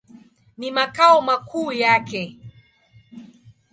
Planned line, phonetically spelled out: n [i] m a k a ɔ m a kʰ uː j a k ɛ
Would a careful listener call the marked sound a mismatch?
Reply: no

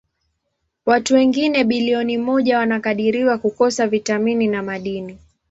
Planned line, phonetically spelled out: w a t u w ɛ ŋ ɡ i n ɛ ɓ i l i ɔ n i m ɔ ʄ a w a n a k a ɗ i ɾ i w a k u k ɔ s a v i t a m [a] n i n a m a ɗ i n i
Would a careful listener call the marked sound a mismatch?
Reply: yes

